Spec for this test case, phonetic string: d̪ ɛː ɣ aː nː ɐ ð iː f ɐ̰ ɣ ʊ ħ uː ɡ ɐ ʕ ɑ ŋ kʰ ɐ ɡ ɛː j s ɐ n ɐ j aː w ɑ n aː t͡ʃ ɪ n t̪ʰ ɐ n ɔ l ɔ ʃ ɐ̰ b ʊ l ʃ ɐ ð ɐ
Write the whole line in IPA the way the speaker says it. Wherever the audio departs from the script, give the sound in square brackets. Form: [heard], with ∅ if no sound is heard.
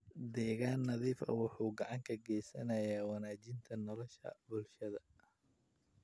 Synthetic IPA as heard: d̪ ɛː ɣ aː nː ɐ ð iː f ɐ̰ [w] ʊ ħ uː ɡ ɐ ʕ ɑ ŋ kʰ ɐ ɡ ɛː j s ɐ n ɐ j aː w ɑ n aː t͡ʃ ɪ n t̪ʰ ɐ n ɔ l ɔ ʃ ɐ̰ b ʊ l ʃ ɐ ð ɐ